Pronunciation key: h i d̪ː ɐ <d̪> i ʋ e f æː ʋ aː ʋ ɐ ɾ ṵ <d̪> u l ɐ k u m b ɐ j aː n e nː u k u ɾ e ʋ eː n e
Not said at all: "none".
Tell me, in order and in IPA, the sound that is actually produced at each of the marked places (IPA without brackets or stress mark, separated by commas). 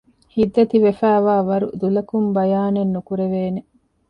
t̪, d̪